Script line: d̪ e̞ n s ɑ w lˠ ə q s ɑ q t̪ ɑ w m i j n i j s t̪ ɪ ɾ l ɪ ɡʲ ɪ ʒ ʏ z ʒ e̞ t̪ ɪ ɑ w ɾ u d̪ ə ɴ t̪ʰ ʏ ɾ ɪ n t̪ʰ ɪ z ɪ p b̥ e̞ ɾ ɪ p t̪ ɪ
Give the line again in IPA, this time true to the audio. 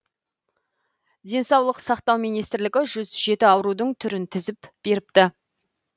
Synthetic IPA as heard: d̪ e̞ n s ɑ w lˠ ə q s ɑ q t̪ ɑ w m i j n i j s t̪ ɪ ɾ l ɪ ɡʲ ɪ ʒ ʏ z ʒ e̞ t̪ ɪ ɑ w ɾ u d̪ ə ɴ t̪ʰ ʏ ɾ ɪ n t̪ʰ ɪ z ɪ p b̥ e̞ ɾ ɪ p t̪ ɪ

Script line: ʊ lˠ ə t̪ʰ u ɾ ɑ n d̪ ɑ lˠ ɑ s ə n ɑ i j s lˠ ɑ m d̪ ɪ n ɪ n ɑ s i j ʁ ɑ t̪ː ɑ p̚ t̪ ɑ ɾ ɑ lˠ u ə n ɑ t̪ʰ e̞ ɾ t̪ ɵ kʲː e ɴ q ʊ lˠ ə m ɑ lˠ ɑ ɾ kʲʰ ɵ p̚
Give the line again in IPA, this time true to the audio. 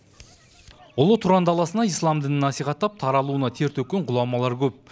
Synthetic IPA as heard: ʊ lˠ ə t̪ʰ u ɾ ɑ n d̪ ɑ lˠ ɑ s ə n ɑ i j s lˠ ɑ m d̪ ɪ n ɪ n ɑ s i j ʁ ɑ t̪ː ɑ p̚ t̪ʰ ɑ ɾ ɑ lˠ u ə n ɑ t̪ʰ e̞ ɾ t̪ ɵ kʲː e ɴ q ʊ lˠ ɑ m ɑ lˠ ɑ ɾ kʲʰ ɵ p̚

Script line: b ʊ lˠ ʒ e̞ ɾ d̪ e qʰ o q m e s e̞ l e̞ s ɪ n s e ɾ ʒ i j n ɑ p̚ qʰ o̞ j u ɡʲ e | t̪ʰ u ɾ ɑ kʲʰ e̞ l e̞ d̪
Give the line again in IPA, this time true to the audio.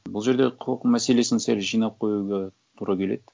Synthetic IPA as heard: b ʊ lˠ ʒ e̞ ɾ d̪ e qʰ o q m æ s e̞ l e̞ s ɪ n s e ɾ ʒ i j n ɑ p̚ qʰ o̞ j u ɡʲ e | t̪ʰ u ɾ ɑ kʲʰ e̞ l e̞ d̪

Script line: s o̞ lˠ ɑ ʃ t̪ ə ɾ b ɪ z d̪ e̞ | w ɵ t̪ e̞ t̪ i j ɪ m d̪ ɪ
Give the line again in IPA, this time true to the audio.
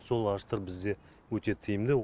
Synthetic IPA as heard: s o̞ lˠ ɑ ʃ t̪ ə ɾ b ɪ z d̪ e̞ | w ɵ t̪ e̞ t̪ʰ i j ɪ m d̪ ɪ

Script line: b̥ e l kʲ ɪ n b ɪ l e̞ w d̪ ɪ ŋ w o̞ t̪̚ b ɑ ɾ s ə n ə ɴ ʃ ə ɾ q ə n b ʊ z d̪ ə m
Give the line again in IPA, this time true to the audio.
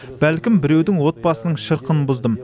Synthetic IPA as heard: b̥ æ l kʲ ɪ m b ɪ ɾ e̞ w d̪ ɪ ŋ w o̞ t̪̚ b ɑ s ə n ə ɴ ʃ ə ɾ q ə n b ʊ z d̪ ə m

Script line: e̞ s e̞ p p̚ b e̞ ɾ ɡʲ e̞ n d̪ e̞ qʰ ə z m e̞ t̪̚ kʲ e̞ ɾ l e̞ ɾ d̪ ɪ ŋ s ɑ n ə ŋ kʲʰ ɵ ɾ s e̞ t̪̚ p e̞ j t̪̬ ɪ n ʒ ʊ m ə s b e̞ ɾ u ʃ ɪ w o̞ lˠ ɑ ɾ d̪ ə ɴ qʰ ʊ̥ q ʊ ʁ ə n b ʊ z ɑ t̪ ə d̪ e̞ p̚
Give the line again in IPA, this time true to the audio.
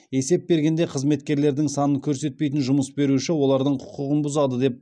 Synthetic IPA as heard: e̞ s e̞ p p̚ b e̞ ɾ ɡʲ e̞ n d̪ e̞ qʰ ə z m e̞ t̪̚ kʲ e̞ ɾ l e̞ ɾ d̪ ɪ ŋ s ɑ n ə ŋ kʲʰ ɵ ɾ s e̞ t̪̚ p e̞ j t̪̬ ɪ n ʒ ʊ m ə s b e̞ ɾ u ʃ ɪ w o̞ lˠ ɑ ɾ d̪ ə ɴ qʰ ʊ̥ q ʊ ʁ ə n b ʊ z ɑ d̪ ə d̪ e̞ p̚

